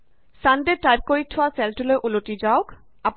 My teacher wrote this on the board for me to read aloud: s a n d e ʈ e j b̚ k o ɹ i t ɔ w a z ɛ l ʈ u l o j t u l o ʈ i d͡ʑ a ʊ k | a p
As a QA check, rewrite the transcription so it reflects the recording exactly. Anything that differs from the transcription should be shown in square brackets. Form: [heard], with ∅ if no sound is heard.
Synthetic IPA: s a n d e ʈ [a] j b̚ k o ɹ i [tʰ] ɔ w a [s] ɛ l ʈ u l o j [ʔ] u l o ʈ i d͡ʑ a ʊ k | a p